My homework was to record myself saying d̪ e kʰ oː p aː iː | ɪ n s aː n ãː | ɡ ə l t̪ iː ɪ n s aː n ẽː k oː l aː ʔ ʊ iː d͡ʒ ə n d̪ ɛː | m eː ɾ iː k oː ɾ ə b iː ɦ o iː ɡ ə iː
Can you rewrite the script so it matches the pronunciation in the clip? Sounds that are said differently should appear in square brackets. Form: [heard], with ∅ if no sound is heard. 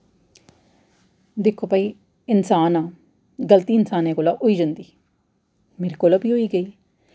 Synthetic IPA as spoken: d̪ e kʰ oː p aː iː | ɪ n s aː n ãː | ɡ ə l t̪ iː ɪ n s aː n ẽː k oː l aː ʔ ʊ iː d͡ʒ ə n d̪ [iː] | m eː ɾ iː k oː [l] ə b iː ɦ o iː ɡ ə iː